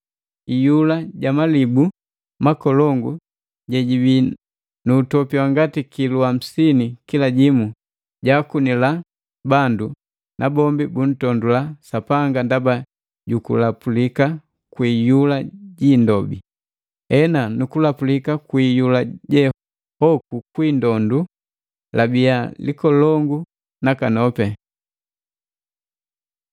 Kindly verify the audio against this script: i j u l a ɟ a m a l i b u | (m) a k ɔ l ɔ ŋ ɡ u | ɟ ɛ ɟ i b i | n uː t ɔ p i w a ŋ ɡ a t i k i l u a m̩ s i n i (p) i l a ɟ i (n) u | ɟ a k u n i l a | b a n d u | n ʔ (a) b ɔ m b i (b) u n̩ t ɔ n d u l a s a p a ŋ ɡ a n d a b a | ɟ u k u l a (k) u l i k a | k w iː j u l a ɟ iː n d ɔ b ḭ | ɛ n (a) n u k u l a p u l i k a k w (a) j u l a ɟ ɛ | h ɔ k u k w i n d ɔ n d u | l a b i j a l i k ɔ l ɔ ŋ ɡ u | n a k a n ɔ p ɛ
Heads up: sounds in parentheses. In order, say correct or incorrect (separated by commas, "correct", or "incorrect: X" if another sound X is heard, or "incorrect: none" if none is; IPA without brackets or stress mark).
correct, incorrect: k, incorrect: m, correct, correct, incorrect: p, correct, incorrect: i